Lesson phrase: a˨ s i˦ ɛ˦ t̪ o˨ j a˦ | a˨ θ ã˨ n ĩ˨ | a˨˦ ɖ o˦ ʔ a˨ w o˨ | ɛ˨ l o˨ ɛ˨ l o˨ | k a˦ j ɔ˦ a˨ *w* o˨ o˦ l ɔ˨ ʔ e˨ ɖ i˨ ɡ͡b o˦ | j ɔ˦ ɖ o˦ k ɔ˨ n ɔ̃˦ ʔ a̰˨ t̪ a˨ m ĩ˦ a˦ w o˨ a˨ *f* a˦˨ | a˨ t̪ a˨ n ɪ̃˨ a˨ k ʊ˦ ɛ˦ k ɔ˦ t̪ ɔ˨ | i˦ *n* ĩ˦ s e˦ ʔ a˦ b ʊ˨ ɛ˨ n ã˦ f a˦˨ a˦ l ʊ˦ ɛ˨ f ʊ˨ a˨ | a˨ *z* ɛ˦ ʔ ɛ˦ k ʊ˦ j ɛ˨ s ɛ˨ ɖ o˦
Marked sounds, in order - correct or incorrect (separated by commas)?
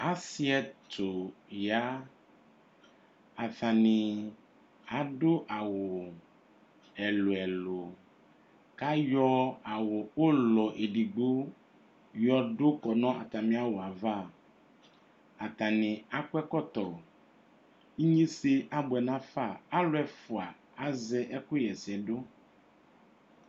correct, incorrect, incorrect, correct